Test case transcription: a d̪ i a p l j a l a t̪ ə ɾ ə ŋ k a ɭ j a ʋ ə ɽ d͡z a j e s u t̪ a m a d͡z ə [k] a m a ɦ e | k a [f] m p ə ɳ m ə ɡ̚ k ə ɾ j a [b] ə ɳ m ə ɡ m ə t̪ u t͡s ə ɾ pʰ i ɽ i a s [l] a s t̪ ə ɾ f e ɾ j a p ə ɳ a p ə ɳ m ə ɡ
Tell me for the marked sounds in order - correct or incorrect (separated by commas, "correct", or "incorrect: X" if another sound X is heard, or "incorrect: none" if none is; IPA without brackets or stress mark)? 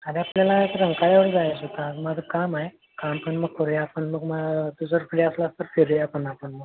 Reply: correct, incorrect: none, incorrect: p, correct